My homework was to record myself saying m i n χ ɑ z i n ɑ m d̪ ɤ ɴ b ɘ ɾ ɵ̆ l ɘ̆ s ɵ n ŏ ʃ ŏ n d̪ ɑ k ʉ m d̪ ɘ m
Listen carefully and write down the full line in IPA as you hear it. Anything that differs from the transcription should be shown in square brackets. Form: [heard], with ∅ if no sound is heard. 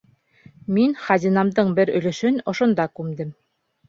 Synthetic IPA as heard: m i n χ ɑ z i n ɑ m d̪ ɤ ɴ b ɘ ɾ ɵ̆ l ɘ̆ [ʃ] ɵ n ŏ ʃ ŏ n d̪ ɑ k ʉ m d̪ ɘ m